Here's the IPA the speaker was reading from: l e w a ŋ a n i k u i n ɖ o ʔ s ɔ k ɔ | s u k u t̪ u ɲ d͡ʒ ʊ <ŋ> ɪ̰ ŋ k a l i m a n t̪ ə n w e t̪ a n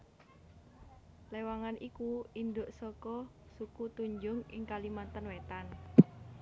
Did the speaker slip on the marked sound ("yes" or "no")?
no